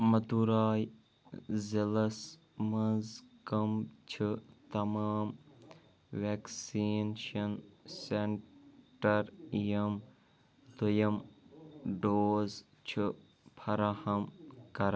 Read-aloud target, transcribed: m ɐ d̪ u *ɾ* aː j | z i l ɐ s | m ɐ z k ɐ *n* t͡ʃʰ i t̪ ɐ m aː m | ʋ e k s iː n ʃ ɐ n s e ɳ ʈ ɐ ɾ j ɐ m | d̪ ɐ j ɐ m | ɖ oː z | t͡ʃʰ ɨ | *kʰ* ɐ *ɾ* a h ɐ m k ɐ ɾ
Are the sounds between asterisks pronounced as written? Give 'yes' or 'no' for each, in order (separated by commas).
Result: yes, no, no, yes